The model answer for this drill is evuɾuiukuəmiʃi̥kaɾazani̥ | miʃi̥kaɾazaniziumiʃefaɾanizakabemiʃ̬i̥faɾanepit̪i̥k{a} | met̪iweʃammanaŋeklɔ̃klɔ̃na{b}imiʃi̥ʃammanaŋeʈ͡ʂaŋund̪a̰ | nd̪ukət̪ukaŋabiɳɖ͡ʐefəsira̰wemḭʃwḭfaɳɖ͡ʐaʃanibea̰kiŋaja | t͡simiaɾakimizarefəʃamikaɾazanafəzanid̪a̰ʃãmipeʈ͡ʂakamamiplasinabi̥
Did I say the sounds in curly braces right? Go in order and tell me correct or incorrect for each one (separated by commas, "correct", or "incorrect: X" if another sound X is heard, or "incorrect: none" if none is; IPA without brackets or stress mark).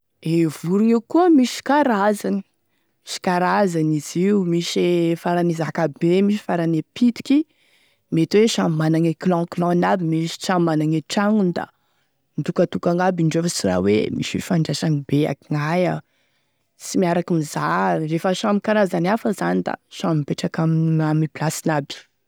incorrect: i, correct